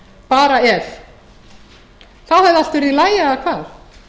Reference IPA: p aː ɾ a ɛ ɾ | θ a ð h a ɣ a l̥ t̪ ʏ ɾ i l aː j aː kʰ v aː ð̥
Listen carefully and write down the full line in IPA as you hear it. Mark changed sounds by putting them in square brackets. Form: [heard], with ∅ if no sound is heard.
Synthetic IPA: p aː ɾ a ɛ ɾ | θ a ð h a [ð] a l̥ t̪ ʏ ɾ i l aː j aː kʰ v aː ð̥